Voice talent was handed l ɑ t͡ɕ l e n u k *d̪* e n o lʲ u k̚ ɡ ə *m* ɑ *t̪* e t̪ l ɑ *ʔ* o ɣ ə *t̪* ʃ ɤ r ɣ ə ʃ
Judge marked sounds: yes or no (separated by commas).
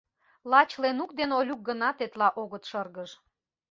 yes, no, yes, yes, yes